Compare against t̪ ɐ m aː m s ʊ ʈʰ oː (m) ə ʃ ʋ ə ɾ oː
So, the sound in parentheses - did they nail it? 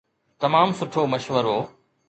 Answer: yes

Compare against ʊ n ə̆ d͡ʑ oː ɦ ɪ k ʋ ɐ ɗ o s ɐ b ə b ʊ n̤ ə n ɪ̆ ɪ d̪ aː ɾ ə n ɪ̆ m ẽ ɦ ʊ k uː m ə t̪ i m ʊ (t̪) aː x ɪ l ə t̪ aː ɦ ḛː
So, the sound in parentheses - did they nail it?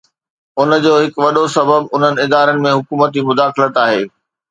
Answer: no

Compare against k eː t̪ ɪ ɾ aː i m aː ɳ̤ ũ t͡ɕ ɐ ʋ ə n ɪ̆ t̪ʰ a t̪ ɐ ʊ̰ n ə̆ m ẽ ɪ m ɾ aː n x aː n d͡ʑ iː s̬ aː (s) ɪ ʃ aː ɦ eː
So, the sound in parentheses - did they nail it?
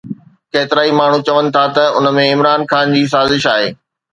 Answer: no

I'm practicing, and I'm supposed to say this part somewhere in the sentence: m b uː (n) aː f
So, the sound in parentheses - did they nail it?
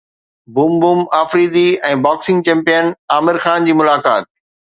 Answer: no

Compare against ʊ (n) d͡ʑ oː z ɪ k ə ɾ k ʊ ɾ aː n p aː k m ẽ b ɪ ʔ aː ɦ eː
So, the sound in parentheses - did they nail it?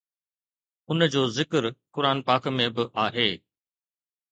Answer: yes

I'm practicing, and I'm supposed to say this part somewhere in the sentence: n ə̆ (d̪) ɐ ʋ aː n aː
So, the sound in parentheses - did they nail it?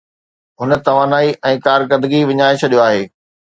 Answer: no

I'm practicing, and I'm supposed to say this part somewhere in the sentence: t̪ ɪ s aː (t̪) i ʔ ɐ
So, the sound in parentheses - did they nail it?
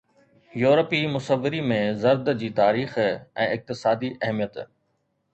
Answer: no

